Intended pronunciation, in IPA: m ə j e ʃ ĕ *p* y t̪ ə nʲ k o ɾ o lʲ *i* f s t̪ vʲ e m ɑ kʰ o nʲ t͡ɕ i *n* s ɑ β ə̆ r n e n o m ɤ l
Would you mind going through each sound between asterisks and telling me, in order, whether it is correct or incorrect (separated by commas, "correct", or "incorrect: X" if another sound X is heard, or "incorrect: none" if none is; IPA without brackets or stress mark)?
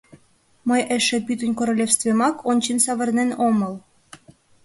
correct, incorrect: e, correct